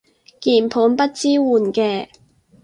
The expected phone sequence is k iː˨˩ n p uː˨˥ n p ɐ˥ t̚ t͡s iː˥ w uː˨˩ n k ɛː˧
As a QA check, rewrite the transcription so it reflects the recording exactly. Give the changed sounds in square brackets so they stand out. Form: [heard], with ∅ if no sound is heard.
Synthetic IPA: k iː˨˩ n [pʰ] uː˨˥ n p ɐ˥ t̚ t͡s iː˥ w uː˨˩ n k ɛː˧